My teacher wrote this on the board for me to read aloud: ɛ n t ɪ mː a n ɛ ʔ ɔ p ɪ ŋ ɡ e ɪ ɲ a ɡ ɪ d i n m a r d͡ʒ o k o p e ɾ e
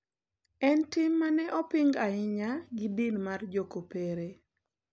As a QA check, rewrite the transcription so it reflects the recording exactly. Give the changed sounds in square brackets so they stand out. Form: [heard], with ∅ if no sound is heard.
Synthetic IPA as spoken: ɛ n t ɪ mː a n ɛ ʔ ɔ p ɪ ŋ ɡ [a] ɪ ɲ a ɡ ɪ d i n m a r d͡ʒ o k o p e ɾ e